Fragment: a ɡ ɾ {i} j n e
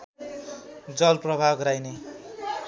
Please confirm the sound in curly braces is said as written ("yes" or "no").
no